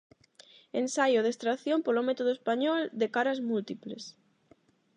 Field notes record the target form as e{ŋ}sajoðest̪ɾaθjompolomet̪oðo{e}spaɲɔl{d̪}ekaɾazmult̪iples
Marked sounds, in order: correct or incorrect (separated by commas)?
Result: incorrect, correct, correct